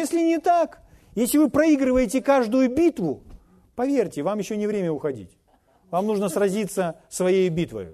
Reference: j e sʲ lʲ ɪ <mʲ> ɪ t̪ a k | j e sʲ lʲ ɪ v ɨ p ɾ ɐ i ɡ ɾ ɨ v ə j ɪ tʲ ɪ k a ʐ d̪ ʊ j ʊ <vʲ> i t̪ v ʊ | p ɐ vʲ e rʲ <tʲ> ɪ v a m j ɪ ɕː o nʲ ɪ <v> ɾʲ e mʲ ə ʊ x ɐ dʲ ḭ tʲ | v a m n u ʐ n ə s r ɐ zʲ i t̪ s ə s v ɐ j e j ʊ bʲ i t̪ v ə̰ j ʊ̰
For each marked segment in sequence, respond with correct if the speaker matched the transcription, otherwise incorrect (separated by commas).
incorrect, incorrect, correct, correct